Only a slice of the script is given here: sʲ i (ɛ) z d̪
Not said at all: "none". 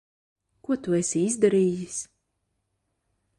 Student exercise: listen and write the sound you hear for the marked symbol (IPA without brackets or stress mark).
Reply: i